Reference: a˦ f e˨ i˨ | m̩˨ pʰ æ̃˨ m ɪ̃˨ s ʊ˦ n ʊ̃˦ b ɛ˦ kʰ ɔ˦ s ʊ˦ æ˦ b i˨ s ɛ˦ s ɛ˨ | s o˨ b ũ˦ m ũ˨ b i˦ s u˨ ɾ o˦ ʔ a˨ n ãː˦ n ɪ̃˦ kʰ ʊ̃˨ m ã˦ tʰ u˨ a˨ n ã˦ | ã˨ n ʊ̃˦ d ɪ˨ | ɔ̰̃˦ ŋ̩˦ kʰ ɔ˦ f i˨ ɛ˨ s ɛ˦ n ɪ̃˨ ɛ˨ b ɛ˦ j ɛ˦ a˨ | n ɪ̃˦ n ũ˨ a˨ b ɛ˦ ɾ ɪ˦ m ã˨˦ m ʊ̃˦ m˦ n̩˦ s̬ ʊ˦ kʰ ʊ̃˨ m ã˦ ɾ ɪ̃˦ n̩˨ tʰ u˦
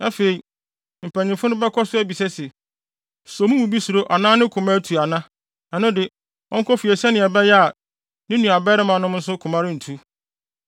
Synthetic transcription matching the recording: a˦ f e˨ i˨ | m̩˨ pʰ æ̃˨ ɲ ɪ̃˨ f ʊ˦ n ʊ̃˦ b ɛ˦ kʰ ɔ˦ s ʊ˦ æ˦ b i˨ s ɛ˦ s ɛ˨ | s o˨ m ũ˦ m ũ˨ b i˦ s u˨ ɾ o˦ ʔ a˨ n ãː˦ n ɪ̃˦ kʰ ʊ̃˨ m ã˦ tʰ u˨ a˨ n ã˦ | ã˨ n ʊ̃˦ d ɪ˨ | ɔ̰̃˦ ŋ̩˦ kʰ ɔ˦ f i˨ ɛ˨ s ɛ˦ n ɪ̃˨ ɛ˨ b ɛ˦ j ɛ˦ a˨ | n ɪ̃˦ n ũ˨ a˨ b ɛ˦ ɾ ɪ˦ m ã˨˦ n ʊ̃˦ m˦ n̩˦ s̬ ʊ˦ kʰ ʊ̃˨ m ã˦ ɾ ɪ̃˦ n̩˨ tʰ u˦